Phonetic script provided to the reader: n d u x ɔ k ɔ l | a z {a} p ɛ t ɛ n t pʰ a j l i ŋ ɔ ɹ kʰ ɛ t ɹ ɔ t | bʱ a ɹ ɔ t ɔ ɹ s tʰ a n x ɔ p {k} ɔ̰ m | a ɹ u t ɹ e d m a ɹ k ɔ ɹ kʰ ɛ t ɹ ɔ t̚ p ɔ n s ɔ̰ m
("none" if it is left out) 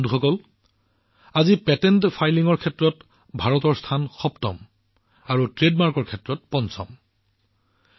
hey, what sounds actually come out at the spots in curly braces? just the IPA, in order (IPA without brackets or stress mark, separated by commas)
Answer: i, t